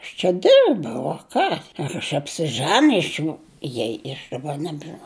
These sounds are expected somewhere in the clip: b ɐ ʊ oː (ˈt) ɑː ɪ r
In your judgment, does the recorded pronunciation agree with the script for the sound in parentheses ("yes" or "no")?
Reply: no